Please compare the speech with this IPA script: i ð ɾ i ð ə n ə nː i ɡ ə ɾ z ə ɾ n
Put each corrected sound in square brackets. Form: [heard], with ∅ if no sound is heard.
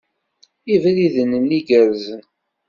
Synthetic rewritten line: i [v] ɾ i ð ə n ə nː i ɡ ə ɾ z ə [∅] n